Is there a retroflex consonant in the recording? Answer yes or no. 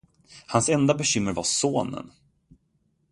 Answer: no